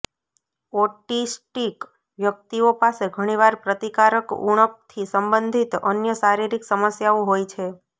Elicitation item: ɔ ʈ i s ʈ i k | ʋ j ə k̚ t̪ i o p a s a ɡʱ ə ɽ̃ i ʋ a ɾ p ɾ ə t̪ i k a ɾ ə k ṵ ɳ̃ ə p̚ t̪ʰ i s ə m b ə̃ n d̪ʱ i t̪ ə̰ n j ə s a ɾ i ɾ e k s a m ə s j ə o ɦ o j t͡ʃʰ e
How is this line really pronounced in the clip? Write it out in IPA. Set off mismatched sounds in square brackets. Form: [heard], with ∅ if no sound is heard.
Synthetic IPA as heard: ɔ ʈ i s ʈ i k | ʋ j ə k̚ t̪ i o p a s [e] ɡʱ ə ɽ̃ i ʋ a ɾ p ɾ ə t̪ i k a ɾ ə k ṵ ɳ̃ ə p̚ t̪ʰ i s ə m b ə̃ n d̪ʱ i t̪ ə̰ n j ə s a ɾ i ɾ [i] k s [ə] m ə s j [a] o ɦ o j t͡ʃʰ e

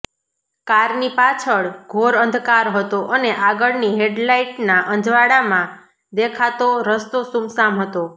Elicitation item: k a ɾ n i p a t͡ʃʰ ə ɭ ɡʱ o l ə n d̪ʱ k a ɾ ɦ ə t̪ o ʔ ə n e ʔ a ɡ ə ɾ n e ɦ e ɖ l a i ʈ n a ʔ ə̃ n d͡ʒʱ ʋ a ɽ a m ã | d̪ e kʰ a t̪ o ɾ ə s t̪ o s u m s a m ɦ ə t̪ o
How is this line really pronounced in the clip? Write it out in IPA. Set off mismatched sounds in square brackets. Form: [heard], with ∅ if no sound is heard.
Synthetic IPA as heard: k a ɾ n i p a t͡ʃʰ ə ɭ ɡʱ o [ɾ] ə n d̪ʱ k a ɾ ɦ ə t̪ o ʔ ə n e ʔ a ɡ ə [ɭ] n [i] ɦ e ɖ l a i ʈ n a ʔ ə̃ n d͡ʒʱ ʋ a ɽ a m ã | d̪ e kʰ a t̪ o ɾ ə s t̪ o s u m s a m ɦ ə t̪ o

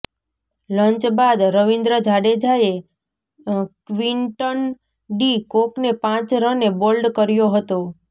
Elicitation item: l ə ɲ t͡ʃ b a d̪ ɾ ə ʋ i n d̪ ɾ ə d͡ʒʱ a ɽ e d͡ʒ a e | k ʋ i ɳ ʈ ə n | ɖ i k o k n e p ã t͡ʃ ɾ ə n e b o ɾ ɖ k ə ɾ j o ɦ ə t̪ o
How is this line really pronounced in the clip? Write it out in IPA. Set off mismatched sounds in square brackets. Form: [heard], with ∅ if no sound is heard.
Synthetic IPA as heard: l ə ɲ t͡ʃ b a d̪ ɾ ə ʋ i n d̪ ɾ ə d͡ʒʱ a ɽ e d͡ʒ a e | k ʋ i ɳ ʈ ə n | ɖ i k o k n e p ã t͡ʃ ɾ ə n e b o [l] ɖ k ə ɾ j o ɦ ə t̪ o

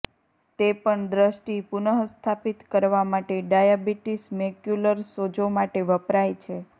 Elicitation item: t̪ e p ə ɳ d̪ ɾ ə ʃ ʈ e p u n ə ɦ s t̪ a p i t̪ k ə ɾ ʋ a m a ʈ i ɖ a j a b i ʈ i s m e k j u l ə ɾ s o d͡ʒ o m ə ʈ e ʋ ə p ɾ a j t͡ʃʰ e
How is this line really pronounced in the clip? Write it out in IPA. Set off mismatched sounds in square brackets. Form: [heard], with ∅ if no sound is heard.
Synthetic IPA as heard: t̪ e p ə ɳ d̪ ɾ ə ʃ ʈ [i] p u n ə ɦ s [t̪ʰ] a p i t̪ k ə ɾ ʋ a m a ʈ [e] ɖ a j a b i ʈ i s m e k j u l ə ɾ s o d͡ʒ o m [a] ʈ e ʋ ə p ɾ a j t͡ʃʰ e

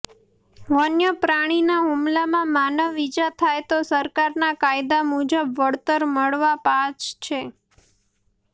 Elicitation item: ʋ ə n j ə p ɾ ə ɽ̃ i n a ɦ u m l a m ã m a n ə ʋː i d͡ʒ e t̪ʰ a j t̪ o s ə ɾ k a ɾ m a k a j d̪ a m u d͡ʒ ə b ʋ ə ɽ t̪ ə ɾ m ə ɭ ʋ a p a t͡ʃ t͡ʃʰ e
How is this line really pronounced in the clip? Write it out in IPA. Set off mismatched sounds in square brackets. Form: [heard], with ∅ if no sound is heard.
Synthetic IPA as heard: ʋ ə n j ə p ɾ [a] ɽ̃ i n a ɦ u m l a m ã m a n ə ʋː i d͡ʒ [a] t̪ʰ a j t̪ o s ə ɾ k a ɾ [n] a k a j d̪ a m u d͡ʒ ə b ʋ ə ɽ t̪ ə ɾ m ə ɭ ʋ a p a t͡ʃ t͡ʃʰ e

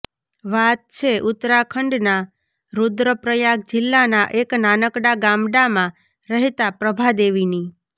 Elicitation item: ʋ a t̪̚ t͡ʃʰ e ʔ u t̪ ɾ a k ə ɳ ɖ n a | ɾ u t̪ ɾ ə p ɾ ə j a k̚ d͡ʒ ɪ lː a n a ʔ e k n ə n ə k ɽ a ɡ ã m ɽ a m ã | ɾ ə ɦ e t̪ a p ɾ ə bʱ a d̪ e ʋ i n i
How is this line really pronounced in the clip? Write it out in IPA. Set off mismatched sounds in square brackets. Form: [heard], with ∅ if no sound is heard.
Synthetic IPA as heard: ʋ a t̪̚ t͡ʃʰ e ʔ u t̪ ɾ a [kʰ] ə ɳ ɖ n a | ɾ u [d̪] ɾ ə p ɾ ə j a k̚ d͡ʒ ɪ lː a n a ʔ e k n [a] n ə k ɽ a ɡ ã m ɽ a m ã | ɾ ə ɦ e t̪ a p ɾ ə bʱ a d̪ e ʋ i n i

